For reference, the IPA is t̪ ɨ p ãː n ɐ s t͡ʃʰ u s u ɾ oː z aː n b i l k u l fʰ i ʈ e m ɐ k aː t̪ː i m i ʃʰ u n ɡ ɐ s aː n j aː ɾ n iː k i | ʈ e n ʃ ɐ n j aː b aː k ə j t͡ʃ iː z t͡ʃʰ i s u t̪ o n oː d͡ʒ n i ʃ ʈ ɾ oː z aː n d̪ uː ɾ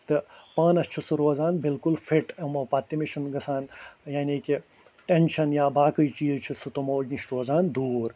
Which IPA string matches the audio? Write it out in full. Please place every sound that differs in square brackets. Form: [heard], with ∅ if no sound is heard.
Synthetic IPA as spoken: t̪ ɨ p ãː n ɐ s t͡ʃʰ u s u ɾ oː z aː n b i l k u l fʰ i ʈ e m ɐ [p] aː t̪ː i m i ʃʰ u n ɡ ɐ s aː n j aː [∅] n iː k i | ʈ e n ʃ ɐ n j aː b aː k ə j t͡ʃ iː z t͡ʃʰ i s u t̪ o [m] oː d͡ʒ n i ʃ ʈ ɾ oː z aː n d̪ uː ɾ